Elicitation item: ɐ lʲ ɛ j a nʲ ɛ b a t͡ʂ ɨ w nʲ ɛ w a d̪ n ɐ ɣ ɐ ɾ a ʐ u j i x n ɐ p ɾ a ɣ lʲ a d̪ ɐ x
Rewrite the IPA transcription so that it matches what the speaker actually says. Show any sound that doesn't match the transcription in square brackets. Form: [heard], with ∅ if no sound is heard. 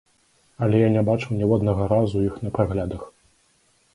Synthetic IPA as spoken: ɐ lʲ ɛ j a nʲ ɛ b a t͡ʂ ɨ w nʲ ɛ w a d̪ n ɐ ɣ ɐ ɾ a [z] u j i x n ɐ p ɾ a ɣ lʲ a d̪ ɐ x